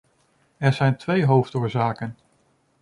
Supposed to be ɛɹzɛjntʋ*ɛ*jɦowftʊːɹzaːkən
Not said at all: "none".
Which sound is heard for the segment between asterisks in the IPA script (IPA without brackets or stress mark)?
e